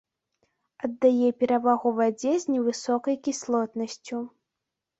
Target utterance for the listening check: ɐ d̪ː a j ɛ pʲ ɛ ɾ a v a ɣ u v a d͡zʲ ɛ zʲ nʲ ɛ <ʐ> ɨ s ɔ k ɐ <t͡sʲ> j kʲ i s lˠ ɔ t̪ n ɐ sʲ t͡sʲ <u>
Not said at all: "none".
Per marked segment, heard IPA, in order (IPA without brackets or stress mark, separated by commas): v, none, u